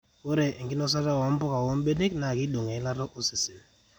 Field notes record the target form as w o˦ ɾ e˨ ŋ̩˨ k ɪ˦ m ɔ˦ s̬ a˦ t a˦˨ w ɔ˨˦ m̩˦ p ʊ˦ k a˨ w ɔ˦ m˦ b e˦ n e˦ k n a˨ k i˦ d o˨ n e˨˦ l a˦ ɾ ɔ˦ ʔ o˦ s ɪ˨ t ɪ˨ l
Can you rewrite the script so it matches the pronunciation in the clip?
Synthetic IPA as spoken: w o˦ ɾ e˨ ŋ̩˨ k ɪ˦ n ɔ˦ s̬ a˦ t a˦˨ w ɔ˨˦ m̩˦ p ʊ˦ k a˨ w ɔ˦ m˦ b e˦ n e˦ k n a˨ k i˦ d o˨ ŋ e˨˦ l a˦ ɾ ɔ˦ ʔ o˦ s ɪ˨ s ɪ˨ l